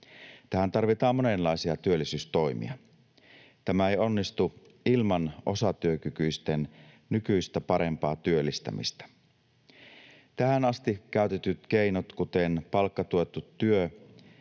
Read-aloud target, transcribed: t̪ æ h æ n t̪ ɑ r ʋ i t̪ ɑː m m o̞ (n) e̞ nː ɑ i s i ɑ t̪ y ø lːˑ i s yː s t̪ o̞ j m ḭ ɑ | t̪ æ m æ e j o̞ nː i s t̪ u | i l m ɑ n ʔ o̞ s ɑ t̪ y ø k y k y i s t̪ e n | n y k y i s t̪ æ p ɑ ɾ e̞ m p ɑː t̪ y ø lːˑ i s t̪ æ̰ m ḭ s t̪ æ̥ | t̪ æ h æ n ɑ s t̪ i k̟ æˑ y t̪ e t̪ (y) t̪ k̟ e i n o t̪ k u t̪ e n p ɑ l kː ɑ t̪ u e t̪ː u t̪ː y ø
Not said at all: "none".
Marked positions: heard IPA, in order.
n, y

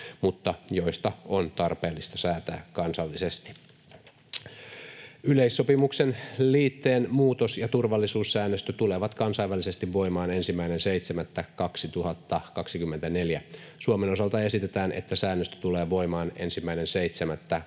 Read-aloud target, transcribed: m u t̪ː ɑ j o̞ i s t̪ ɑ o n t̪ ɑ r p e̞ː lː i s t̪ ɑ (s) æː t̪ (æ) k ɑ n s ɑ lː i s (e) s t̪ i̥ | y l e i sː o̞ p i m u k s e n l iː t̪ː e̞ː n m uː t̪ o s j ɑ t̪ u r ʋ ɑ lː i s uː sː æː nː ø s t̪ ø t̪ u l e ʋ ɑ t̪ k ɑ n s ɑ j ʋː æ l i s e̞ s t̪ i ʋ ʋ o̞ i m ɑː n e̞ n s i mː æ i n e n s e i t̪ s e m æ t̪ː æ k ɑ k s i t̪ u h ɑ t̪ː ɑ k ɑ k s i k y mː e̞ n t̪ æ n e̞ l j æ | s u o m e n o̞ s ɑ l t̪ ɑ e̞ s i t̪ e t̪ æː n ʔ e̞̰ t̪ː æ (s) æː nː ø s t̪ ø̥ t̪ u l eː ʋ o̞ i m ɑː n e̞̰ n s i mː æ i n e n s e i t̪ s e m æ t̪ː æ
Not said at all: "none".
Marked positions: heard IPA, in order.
s, æː, e, s

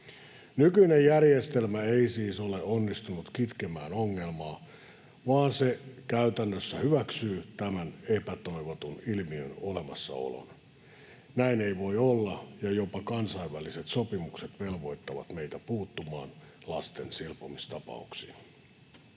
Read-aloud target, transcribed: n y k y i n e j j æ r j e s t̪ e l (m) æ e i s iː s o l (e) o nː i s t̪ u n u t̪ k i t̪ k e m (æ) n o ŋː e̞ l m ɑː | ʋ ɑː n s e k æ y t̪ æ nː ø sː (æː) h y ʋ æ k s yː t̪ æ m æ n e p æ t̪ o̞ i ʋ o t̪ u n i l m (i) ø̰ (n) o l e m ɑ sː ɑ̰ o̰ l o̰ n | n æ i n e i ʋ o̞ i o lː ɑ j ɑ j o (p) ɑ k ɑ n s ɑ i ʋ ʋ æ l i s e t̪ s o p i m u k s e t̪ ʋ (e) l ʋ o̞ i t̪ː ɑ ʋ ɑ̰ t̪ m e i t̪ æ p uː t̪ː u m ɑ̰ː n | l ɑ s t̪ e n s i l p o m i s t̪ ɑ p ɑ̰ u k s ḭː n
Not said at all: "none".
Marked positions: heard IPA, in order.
m, e, æː, æ, i, n, p, e

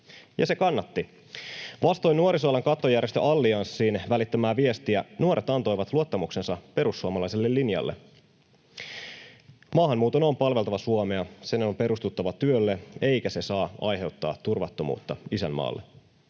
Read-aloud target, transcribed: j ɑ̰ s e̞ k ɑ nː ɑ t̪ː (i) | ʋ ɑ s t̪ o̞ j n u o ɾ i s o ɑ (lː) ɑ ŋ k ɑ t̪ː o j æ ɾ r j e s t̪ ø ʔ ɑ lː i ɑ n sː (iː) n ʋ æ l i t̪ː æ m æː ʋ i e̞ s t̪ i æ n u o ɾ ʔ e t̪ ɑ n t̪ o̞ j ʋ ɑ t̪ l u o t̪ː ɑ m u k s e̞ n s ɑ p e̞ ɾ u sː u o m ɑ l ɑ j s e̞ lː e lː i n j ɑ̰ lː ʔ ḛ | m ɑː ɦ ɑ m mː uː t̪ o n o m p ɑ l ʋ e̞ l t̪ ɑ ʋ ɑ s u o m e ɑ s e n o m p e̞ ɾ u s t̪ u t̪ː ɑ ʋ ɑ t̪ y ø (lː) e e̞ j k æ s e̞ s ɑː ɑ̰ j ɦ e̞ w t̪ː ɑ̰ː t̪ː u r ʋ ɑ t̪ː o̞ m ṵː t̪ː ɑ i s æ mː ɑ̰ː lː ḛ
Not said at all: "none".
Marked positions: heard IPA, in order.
i, l, iː, lː

